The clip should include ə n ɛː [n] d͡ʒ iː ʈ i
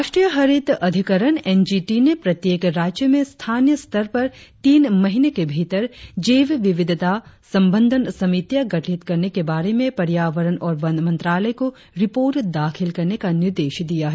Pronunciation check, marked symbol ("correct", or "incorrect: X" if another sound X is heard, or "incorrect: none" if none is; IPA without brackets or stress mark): correct